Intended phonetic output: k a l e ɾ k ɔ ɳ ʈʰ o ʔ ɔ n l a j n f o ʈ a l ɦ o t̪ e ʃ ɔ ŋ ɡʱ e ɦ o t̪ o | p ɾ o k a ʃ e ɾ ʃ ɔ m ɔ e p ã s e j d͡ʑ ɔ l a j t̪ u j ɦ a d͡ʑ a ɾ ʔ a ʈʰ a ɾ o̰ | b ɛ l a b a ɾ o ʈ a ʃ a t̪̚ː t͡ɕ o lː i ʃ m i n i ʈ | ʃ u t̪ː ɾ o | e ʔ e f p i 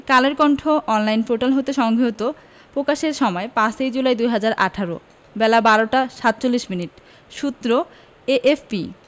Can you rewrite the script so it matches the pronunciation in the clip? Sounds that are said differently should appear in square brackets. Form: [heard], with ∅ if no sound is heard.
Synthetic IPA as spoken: k a l e ɾ k ɔ ɳ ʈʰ o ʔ ɔ n l a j n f o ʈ a l ɦ o t̪ e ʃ ɔ ŋ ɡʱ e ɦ o t̪ o | p ɾ o k a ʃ e ɾ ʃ ɔ m ɔ e p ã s e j d͡ʑ [u] l a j [d̪] u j ɦ a d͡ʑ a ɾ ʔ a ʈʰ a ɾ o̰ | b ɛ l a b a ɾ o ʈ a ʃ a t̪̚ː t͡ɕ o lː i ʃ m i n i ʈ | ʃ u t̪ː ɾ o | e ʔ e f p i